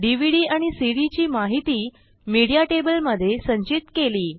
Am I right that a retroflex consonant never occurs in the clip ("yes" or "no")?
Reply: no